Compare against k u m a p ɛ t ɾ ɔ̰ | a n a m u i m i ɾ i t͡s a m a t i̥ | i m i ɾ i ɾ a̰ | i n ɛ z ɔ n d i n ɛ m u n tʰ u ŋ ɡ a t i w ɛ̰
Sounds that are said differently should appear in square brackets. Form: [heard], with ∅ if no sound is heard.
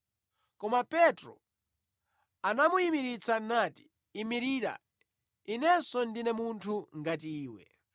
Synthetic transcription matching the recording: k [ɔ] m a p ɛ t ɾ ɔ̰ | a n a m u i m i ɾ i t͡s a [n] a t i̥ | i m i ɾ i ɾ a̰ | i n ɛ [s] ɔ n d i n ɛ m u n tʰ u ŋ ɡ a t [iː] w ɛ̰